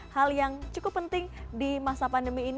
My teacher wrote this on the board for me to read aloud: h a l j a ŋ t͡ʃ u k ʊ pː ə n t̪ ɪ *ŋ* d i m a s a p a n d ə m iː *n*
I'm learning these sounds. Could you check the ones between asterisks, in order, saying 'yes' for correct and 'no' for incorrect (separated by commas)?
yes, yes